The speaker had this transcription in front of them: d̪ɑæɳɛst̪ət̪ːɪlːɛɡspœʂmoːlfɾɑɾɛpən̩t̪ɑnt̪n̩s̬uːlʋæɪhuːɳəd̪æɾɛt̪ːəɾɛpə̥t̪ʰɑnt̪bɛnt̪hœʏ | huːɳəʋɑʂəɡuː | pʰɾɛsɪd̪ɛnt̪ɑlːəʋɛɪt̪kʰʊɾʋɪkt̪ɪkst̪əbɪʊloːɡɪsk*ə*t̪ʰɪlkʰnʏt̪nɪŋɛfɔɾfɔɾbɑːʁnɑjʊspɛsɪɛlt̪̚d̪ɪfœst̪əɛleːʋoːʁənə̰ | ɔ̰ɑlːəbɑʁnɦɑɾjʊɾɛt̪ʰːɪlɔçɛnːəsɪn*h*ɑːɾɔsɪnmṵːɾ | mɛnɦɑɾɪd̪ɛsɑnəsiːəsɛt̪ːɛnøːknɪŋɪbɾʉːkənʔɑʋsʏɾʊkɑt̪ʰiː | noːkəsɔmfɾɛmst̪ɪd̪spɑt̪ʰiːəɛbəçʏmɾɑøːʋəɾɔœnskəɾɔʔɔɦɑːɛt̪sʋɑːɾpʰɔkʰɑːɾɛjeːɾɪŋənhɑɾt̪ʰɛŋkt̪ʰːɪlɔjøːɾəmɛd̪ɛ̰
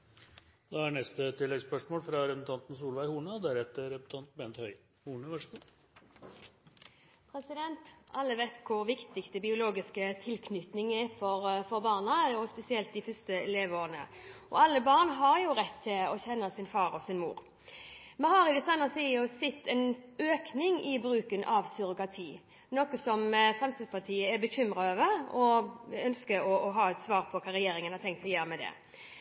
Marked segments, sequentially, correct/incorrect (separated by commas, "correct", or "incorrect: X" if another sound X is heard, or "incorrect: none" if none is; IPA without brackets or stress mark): correct, incorrect: f